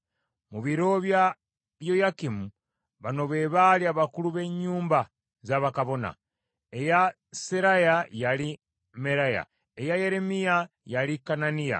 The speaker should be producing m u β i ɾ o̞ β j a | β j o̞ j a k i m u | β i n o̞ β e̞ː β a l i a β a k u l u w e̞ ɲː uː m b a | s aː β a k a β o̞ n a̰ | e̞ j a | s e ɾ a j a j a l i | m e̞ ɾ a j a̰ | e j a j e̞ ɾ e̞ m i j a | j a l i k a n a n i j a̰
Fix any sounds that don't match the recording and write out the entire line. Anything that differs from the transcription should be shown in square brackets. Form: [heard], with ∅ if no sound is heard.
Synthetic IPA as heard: m u β i ɾ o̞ β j a | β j o̞ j a k i m u | β [a] n o̞ β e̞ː β a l i a β a k u l u [β] e̞ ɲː uː m b a | [z] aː β a k a β o̞ n a̰ | e̞ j a | s e ɾ a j a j a l i | m e̞ ɾ a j a̰ | e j a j e̞ ɾ e̞ m i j a | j a l i k a n a n i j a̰